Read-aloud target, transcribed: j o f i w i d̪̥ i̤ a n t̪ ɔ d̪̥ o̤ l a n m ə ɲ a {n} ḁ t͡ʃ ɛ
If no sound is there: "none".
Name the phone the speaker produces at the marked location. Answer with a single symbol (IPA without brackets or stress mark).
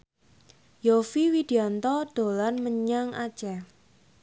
ŋ